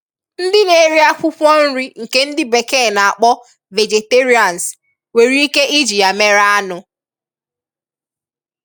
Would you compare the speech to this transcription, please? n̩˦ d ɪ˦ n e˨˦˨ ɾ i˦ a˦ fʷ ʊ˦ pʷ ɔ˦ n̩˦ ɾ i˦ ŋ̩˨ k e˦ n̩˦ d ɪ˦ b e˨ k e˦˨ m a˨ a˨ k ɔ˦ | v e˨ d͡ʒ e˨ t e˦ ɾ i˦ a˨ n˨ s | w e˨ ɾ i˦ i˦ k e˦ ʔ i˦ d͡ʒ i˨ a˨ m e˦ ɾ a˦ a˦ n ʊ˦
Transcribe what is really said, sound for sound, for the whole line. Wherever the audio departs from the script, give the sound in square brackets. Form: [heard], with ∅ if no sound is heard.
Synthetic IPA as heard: n̩˦ d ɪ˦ n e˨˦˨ ɾ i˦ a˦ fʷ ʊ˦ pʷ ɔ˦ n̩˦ ɾ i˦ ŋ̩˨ k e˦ n̩˦ d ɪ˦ b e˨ k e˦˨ [n] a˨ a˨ [k͡p] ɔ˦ | v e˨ d͡ʒ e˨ t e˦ ɾ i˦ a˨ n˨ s | w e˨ ɾ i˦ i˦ k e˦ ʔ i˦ d͡ʒ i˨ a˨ m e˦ ɾ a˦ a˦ n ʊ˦

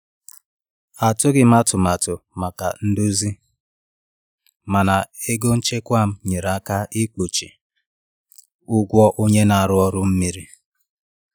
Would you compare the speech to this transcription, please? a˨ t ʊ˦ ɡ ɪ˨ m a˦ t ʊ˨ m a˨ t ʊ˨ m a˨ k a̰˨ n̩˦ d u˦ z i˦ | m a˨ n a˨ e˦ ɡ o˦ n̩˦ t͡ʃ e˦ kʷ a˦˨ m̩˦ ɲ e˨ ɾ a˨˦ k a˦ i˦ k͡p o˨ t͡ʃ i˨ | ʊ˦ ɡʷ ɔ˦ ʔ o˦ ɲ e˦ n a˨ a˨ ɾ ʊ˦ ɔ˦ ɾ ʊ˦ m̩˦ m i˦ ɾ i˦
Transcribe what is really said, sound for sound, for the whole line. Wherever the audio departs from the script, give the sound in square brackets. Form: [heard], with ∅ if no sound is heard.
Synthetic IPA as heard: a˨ t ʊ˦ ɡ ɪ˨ m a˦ t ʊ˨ m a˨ t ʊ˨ m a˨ k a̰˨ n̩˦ d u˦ z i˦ | m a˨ n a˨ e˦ ɡ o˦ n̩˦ t͡ʃ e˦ kʷ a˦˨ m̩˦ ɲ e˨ ɾ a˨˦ k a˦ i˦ k͡p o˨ t͡ʃ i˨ | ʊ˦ ɡʷ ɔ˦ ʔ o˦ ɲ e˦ n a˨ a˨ ɾ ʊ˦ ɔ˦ ɾ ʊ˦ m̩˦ m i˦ ɾ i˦

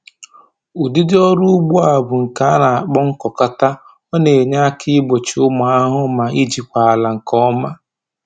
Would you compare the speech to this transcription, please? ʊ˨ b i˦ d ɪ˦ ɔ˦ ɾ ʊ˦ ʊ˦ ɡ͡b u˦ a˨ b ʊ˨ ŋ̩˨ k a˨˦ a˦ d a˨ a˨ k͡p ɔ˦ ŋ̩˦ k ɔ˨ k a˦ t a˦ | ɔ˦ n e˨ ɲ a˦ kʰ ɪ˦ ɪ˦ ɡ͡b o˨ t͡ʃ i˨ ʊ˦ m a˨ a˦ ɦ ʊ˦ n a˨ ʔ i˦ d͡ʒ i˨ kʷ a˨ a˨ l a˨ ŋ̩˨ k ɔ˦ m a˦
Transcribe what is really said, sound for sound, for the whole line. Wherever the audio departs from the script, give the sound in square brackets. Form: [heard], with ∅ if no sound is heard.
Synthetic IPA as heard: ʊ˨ [d] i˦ d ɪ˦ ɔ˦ ɾ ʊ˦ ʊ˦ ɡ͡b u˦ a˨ b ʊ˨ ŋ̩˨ k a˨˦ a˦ [n] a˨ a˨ k͡p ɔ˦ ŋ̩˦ k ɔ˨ k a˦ t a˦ | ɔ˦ n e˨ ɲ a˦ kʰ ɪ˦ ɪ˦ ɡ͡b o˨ t͡ʃ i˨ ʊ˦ m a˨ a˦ ɦ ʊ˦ [m] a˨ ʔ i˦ d͡ʒ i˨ kʷ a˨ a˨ l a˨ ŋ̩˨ k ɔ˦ m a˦

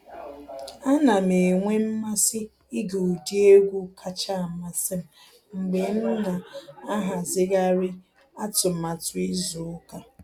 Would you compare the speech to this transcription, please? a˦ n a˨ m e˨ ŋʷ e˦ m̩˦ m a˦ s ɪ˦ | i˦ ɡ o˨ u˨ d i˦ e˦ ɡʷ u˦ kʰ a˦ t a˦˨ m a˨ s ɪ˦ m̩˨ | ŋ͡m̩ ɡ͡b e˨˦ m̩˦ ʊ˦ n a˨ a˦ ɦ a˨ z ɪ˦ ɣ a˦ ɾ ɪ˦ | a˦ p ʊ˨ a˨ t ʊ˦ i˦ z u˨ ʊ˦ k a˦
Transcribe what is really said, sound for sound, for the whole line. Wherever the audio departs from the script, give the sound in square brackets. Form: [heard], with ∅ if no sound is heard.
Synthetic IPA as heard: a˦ n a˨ m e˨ ŋʷ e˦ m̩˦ m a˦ s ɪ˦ | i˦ ɡ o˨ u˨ d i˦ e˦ ɡʷ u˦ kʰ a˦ [t͡ʃ] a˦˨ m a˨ s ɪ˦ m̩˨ | ŋ͡m̩ ɡ͡b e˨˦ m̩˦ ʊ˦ n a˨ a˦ ɦ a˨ z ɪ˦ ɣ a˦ ɾ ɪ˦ | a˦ [t] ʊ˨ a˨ t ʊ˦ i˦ z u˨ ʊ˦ k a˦

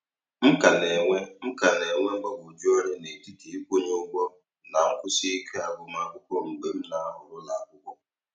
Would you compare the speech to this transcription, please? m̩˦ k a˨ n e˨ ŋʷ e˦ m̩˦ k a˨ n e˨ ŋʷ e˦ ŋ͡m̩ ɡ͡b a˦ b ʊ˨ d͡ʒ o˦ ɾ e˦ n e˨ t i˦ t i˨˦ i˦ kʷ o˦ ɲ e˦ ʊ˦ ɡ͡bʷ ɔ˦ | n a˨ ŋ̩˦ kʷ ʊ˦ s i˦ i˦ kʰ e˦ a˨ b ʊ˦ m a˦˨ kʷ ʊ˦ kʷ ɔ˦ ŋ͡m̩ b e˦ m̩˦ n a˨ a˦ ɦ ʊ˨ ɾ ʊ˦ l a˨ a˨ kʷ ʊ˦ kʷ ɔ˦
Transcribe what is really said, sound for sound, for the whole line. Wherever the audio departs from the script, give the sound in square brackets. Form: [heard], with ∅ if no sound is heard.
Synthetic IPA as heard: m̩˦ k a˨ n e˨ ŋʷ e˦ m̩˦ k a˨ n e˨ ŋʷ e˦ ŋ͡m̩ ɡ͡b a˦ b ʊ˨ d͡ʒ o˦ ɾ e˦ n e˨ t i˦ t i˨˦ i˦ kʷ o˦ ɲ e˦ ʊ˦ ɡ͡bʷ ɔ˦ | n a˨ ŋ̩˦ kʷ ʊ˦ s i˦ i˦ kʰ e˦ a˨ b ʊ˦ m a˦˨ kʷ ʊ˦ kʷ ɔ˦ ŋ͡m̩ [ɡ͡b] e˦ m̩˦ n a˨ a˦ ɦ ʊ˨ ɾ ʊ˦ l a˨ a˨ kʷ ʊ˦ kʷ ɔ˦

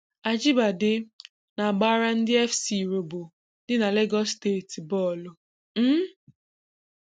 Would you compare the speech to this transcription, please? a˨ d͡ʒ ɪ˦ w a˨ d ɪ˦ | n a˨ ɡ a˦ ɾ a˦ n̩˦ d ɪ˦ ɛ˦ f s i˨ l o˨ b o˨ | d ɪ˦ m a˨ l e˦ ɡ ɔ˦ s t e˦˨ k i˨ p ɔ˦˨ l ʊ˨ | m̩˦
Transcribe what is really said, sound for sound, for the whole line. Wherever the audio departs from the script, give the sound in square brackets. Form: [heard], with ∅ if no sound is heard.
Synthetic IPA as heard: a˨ d͡ʒ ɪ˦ [b] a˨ d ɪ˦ | n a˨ [ɡ͡b] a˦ ɾ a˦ n̩˦ d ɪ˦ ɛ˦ f s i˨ [ɾ] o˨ b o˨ | d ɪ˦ [n] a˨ l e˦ ɡ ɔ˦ s t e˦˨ [t] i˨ [b] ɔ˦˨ l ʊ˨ | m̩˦

